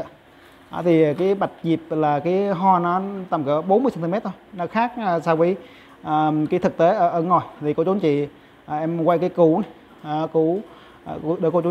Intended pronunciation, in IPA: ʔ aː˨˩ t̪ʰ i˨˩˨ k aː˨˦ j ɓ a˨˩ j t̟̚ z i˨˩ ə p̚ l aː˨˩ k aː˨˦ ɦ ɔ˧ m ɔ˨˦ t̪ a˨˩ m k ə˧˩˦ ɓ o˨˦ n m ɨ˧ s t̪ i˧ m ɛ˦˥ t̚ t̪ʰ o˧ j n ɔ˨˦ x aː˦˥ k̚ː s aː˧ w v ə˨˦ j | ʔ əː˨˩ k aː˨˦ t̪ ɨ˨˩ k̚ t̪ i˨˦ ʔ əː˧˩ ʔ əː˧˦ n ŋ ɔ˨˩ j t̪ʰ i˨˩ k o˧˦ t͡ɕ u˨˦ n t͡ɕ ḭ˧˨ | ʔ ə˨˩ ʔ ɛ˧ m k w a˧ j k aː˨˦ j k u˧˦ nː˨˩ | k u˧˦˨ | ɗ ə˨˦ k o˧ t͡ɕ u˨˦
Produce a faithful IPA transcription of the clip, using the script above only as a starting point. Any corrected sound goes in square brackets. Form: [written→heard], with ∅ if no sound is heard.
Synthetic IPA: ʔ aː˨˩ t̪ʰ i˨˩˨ k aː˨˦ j ɓ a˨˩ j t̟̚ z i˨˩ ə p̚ l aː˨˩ k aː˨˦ ɦ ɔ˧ [m→n] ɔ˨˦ t̪ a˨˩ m k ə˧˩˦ ɓ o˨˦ n m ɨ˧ s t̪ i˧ m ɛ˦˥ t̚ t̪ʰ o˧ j n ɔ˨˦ x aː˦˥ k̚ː s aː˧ w v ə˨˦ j | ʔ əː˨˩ k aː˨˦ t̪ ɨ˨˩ k̚ t̪ [i˨˦→e˨˦] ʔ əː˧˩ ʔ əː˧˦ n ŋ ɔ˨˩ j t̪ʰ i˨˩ k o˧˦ t͡ɕ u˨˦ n t͡ɕ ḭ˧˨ | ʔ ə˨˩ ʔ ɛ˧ m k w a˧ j k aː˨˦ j k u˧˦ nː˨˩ | k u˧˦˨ | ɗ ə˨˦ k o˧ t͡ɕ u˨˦

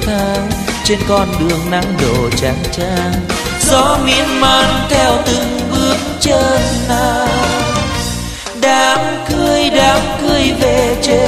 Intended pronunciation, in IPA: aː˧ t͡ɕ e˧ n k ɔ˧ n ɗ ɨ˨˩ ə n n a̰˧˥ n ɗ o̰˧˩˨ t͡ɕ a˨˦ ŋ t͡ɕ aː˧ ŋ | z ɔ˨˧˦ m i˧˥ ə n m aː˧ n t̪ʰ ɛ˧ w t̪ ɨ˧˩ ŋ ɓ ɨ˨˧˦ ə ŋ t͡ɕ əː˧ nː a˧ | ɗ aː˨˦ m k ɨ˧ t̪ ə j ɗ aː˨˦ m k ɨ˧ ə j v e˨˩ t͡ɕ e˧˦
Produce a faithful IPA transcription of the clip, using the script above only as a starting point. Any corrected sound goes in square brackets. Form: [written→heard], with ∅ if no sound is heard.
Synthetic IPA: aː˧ t͡ɕ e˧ n k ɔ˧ n ɗ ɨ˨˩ ə [n→ŋ] n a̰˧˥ [n→ŋ] ɗ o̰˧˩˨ t͡ɕ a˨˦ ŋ t͡ɕ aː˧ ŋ | z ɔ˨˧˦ m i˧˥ ə n m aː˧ n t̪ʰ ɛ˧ w t̪ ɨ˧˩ ŋ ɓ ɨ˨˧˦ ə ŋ t͡ɕ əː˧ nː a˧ | ɗ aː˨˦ m k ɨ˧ [t̪→∅] ə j ɗ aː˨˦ m k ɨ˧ ə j v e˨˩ t͡ɕ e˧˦

